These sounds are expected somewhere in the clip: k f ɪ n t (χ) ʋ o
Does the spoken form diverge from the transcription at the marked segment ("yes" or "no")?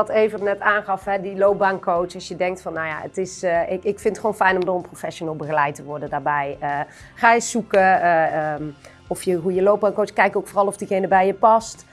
no